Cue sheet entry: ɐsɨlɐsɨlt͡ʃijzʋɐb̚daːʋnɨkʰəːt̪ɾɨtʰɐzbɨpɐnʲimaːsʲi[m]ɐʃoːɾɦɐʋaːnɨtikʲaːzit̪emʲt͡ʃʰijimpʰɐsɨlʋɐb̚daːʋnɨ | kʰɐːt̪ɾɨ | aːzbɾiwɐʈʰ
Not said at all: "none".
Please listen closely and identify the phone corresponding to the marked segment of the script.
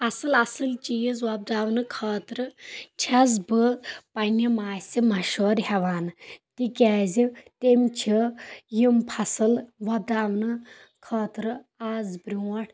m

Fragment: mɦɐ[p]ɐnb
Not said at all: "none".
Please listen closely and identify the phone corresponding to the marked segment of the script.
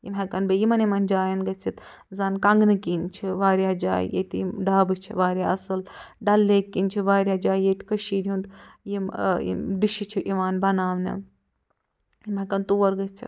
k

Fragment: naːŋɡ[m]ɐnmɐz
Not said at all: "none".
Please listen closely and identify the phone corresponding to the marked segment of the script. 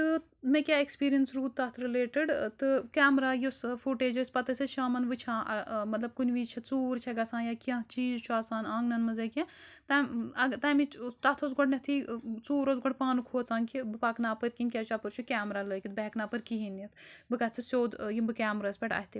n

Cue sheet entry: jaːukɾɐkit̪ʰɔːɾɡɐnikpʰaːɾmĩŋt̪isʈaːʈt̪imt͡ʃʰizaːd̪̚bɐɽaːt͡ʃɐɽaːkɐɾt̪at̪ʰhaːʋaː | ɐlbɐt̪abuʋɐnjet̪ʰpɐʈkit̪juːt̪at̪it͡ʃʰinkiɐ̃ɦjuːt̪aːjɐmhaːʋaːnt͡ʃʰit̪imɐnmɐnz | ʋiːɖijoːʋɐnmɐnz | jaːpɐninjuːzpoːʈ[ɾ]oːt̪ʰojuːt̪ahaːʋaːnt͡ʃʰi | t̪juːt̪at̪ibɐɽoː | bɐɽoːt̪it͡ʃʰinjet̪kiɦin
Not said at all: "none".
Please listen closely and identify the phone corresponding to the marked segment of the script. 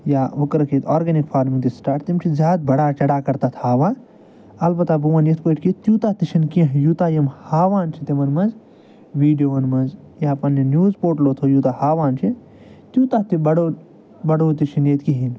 l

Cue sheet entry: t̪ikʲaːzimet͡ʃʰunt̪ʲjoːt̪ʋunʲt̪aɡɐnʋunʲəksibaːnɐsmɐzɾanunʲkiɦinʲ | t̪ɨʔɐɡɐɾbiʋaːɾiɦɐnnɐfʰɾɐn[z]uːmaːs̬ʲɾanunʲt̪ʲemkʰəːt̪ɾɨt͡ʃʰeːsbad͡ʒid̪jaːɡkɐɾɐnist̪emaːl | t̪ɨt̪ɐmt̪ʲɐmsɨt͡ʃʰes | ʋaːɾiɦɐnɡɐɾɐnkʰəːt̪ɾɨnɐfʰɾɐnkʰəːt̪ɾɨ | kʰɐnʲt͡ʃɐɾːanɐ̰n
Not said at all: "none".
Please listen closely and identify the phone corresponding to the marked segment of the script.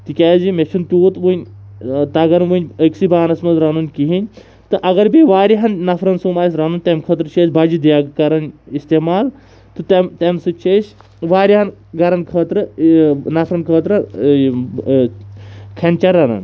s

